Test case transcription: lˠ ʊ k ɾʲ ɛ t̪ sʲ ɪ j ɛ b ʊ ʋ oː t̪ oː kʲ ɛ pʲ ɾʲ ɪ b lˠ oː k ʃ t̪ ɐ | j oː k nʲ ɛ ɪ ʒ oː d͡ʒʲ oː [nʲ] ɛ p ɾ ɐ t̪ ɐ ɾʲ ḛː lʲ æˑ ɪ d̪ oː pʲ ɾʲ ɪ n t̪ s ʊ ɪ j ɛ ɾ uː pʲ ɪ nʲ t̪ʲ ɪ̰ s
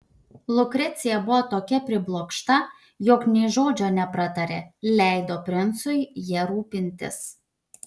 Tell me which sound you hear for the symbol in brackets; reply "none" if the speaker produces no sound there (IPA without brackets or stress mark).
nʲ